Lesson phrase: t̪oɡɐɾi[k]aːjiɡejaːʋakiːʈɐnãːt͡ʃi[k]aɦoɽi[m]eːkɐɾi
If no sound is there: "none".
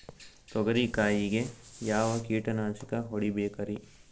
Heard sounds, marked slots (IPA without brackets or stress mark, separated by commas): k, k, b